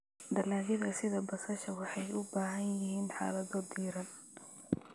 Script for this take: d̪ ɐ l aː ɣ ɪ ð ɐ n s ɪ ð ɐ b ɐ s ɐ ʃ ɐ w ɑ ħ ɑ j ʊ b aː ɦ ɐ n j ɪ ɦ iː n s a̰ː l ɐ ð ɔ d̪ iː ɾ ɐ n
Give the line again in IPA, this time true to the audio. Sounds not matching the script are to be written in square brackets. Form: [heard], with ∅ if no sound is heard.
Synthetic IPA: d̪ ɐ l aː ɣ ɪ ð ɐ [∅] s ɪ ð ɐ b ɐ s ɐ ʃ ɐ w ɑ ħ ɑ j ʊ b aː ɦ ɐ n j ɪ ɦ iː n [ħ] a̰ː l ɐ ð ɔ d̪ iː ɾ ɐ n